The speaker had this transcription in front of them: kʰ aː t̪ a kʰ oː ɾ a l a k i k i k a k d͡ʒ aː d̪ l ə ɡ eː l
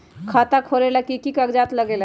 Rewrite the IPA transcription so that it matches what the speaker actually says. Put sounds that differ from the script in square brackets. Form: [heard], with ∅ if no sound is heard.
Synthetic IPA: kʰ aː t̪ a kʰ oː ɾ [e] l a k i k i k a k d͡ʒ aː [t̪] l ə ɡ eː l